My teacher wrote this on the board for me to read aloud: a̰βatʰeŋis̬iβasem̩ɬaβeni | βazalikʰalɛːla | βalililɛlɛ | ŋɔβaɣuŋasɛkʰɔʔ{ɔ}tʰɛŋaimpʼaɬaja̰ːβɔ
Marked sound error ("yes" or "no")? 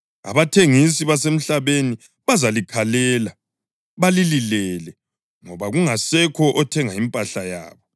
no